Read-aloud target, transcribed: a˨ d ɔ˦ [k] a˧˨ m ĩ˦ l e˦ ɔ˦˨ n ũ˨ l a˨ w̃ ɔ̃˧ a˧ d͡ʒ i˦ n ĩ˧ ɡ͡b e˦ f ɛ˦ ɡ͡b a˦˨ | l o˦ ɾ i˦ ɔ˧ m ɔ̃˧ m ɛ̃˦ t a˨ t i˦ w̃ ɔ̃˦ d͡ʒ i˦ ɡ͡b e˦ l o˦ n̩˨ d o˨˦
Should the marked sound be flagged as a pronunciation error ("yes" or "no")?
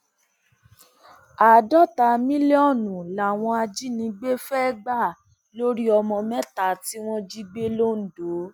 yes